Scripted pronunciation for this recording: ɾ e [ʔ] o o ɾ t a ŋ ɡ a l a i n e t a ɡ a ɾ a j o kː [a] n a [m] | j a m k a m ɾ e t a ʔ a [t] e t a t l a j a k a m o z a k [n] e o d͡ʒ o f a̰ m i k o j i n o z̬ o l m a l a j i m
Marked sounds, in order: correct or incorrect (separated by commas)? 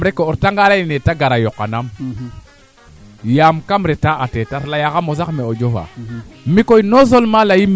incorrect, correct, correct, correct, incorrect